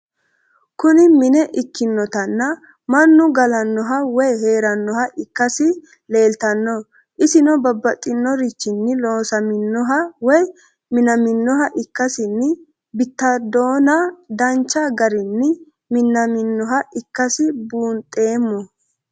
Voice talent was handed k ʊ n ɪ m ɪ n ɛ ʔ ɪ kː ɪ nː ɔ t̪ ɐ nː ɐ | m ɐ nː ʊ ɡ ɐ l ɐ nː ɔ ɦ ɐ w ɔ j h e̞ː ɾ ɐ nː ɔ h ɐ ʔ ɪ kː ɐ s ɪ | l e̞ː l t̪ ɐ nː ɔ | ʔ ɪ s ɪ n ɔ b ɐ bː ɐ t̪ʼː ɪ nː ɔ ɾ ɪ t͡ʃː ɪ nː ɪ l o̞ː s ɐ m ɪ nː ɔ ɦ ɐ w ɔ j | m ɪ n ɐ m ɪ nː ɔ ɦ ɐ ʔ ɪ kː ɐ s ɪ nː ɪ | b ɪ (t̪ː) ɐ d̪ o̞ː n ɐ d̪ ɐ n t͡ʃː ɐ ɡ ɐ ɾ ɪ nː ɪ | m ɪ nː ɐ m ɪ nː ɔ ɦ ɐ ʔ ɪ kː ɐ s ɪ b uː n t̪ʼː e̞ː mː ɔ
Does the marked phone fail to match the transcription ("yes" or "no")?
no